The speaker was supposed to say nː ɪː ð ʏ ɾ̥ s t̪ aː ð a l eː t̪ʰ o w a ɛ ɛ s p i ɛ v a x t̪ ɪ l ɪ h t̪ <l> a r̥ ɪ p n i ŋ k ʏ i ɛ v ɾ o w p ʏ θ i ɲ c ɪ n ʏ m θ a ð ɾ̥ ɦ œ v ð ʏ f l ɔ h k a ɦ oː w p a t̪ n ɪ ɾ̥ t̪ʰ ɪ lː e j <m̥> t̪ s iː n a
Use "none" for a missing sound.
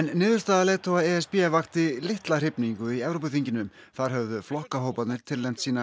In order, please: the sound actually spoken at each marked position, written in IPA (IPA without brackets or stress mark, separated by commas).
l, m̥